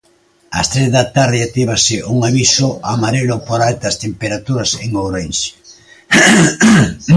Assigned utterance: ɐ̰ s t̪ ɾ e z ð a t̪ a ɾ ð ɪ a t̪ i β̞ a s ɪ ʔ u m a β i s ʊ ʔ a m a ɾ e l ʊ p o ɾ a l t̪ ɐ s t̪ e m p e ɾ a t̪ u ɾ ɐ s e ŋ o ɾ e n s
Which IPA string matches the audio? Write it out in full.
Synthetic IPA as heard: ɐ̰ s t̪ ɾ e z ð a t̪ a ɾ ð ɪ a t̪ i β̞ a s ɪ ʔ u ŋ a β i s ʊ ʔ a m a ɾ e l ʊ p o ɾ a l t̪ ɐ s t̪ e m p e ɾ a t̪ u ɾ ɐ s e ŋ o ɾ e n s